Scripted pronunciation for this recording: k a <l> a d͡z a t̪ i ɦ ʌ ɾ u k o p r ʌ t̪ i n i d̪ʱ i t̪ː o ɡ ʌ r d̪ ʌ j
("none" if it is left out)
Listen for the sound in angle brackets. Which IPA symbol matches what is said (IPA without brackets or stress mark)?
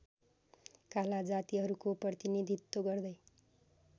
l